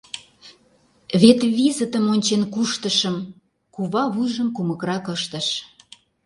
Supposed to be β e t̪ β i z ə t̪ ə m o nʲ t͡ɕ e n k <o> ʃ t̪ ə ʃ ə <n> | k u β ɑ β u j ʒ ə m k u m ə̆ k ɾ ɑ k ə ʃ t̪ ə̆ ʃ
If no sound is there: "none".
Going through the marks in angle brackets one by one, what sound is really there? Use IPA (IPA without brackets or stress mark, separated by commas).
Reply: u, m